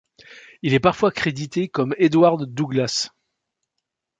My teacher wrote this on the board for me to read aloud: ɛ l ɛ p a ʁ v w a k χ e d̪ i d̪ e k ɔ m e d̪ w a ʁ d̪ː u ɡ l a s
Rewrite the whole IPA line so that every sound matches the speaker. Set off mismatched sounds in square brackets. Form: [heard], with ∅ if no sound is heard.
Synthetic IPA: [i] l ɛ p a ʁ [f] w a k χ e d̪ i [t̪] e k ɔ m e d̪ w a ʁ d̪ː u ɡ l a s